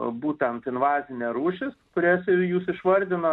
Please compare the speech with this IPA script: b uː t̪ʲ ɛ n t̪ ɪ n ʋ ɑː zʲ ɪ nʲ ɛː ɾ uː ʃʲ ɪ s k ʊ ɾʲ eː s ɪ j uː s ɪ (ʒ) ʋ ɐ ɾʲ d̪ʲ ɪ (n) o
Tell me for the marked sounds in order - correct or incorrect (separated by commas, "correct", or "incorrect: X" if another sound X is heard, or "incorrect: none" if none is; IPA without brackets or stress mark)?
incorrect: ʃ, correct